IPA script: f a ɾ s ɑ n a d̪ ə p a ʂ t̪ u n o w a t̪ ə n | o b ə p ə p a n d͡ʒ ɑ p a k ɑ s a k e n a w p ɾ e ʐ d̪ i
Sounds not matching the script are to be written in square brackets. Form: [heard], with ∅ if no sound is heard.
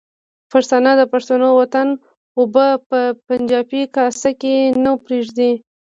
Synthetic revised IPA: f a ɾ s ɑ n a d̪ ə p a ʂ t̪ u n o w a t̪ [a] n | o b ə p ə p a n d͡ʒ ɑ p [i] k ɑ s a k e n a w p ɾ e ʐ d̪ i

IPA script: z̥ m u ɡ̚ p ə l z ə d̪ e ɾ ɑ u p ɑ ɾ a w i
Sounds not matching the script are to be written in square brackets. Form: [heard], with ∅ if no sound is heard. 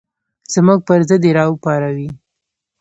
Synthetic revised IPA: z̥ m u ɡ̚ p ə [ɾ] z ə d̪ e ɾ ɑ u p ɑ ɾ a w i

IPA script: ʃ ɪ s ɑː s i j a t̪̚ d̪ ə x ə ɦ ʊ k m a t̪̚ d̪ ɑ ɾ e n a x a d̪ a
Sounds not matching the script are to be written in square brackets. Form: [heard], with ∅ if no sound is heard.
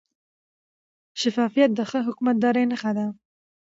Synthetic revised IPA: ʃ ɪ [f] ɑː [f] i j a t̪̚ d̪ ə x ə ɦ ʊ k m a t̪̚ d̪ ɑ ɾ e n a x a d̪ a

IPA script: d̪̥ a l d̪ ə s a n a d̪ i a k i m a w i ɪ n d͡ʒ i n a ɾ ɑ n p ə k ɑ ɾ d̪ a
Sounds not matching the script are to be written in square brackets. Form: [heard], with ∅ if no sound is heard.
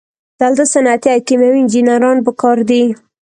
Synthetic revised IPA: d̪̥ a l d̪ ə s a n a [t̪] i a k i m a w i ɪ n d͡ʒ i n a ɾ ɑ n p ə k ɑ ɾ d̪ [i]

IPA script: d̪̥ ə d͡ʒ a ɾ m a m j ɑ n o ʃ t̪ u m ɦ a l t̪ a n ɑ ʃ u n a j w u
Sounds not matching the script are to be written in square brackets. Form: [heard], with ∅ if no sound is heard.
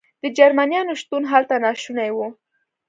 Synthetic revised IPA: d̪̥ ə d͡ʒ a ɾ m a [n] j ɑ n o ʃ t̪ u [n] ɦ a l t̪ a n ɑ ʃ u n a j w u

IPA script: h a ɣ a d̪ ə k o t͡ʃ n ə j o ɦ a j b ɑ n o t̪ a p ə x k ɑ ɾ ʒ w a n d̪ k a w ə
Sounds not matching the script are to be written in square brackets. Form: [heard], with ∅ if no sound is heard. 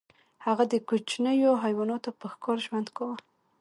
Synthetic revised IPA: h a ɣ a d̪ ə k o t͡ʃ n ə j o ɦ a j [w] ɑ n o t̪ a p ə x k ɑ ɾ ʒ w a n d̪ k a w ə

